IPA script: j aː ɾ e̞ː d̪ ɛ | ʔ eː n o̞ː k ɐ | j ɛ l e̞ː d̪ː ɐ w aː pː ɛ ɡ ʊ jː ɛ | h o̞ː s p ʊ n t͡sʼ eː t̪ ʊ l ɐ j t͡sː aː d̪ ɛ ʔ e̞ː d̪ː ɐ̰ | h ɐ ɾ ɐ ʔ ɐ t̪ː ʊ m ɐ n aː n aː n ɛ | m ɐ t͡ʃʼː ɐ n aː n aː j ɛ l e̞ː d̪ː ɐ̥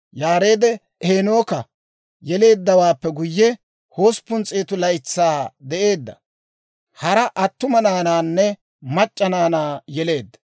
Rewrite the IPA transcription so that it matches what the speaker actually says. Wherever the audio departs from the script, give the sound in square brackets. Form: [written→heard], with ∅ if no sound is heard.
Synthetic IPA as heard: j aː ɾ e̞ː d̪ ɛ | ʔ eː n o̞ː k ɐ | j ɛ l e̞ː d̪ː ɐ w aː pː ɛ ɡ ʊ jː ɛ | h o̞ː s p ʊ n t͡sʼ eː t̪ ʊ l ɐ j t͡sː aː d̪ ɛ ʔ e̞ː d̪ː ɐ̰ | h ɐ ɾ ɐ ʔ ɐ t̪ː ʊ m ɐ n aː n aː [n→nː] ɛ | m ɐ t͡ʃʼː ɐ n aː n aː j ɛ l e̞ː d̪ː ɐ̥